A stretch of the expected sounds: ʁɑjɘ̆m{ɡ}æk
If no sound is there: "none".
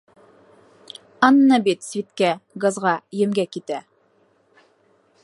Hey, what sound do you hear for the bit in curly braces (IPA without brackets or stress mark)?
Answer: ɡ